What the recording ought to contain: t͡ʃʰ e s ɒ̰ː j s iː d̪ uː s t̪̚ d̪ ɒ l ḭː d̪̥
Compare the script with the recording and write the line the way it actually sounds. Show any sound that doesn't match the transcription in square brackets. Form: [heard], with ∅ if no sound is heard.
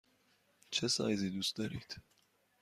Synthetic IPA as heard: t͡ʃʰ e s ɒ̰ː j [z] iː d̪ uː s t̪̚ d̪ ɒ [ɾ] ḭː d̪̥